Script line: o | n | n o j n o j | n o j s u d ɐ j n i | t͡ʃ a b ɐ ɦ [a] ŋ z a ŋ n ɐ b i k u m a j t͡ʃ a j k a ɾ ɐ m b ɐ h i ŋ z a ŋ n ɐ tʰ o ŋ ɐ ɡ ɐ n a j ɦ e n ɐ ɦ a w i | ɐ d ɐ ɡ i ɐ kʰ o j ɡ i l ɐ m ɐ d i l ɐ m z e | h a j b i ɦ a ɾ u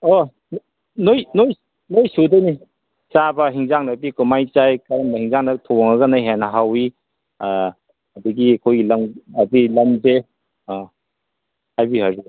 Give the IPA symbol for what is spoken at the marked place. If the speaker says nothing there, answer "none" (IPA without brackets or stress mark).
i